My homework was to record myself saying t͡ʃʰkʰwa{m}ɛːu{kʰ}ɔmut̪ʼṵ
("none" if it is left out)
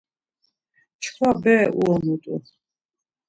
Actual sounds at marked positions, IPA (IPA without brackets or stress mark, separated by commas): b, none